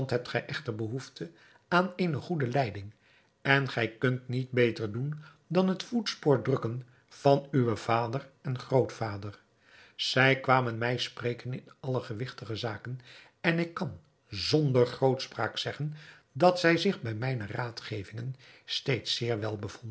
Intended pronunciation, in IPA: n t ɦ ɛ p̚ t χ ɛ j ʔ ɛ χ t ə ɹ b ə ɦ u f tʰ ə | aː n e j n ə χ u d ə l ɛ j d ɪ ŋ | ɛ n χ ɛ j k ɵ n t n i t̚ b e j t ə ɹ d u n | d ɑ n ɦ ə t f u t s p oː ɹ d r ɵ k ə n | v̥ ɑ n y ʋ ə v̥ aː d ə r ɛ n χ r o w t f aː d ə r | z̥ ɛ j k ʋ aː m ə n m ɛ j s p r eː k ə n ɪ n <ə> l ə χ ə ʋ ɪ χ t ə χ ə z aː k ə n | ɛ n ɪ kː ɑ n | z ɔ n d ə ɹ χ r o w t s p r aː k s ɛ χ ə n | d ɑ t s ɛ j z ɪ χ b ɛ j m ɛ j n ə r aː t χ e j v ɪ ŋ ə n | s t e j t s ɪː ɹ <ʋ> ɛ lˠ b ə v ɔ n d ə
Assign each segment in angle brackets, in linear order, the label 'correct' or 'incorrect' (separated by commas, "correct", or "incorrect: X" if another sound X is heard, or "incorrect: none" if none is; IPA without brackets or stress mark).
incorrect: ɑ, correct